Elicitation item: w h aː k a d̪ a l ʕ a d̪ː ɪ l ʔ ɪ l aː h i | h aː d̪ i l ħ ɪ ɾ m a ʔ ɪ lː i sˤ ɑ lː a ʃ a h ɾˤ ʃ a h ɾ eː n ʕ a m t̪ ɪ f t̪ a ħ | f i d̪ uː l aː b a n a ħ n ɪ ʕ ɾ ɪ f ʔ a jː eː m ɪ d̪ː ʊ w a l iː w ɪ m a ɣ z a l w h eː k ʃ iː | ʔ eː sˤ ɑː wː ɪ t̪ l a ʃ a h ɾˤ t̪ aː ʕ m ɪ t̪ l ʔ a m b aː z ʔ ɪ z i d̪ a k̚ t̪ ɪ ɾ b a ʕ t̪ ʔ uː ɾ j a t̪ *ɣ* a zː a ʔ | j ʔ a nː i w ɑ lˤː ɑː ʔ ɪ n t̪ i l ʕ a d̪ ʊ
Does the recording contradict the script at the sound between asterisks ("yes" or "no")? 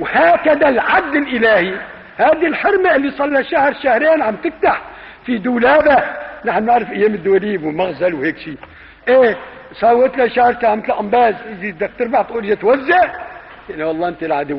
yes